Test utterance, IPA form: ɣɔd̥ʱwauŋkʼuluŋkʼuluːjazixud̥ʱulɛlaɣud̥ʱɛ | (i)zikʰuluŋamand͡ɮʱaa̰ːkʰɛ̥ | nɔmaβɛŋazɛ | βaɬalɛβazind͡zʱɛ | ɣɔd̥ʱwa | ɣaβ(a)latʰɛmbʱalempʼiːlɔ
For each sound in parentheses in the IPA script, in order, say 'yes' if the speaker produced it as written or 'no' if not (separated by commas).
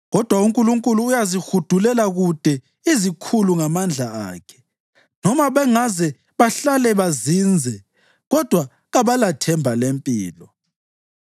yes, yes